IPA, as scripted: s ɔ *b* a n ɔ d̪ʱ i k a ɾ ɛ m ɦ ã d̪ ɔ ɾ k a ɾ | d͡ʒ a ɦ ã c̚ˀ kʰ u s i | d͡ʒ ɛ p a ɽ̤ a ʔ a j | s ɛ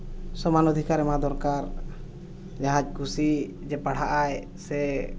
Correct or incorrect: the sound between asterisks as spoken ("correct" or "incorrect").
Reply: incorrect